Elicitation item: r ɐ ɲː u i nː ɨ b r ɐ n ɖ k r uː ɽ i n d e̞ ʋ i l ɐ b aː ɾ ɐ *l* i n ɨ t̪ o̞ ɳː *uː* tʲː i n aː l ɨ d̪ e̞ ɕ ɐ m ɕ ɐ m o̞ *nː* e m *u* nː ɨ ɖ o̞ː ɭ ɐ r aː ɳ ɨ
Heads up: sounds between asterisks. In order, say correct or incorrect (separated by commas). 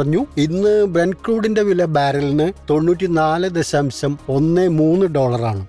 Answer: correct, correct, correct, incorrect